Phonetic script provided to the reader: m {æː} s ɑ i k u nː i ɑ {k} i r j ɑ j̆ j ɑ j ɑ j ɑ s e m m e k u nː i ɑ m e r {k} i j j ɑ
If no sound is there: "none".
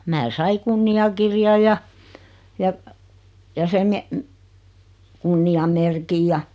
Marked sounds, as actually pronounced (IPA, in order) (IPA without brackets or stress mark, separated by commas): æː, k, k